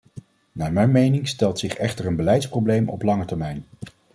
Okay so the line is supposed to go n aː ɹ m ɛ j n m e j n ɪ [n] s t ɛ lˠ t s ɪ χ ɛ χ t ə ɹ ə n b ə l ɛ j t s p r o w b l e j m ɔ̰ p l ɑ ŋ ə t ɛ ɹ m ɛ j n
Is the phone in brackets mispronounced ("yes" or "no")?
yes